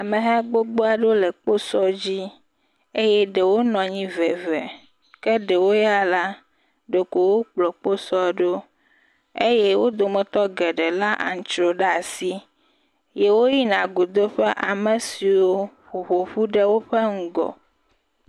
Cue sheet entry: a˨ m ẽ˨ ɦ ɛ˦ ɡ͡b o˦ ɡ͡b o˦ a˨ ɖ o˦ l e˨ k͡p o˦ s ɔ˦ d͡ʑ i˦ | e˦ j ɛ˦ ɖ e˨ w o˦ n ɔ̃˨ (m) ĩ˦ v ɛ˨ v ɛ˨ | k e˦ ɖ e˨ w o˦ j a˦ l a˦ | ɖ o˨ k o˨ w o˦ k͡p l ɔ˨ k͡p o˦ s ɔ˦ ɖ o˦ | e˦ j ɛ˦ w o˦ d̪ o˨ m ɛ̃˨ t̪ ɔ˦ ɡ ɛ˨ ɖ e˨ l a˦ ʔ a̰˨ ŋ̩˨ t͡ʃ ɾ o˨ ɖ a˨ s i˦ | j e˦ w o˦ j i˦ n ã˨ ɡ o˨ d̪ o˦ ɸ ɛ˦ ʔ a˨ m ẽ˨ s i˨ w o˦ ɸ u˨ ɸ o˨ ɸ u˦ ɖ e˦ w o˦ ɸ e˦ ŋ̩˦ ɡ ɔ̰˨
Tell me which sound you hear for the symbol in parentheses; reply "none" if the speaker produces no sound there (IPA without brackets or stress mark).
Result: ɲ